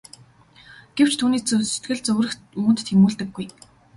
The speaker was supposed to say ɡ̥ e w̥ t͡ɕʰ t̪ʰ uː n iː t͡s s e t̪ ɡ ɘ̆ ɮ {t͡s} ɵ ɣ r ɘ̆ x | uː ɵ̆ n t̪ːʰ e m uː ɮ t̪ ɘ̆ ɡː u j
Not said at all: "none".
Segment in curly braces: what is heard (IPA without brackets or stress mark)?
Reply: t͡s